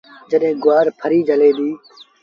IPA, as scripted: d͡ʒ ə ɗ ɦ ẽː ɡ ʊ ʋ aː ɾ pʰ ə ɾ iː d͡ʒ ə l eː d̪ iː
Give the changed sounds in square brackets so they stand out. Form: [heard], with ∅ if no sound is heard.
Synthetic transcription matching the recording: d͡ʒ ə ɗ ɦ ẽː ɡ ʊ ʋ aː ɾ pʰ ə ɾ iː d͡ʒ ə l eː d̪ iː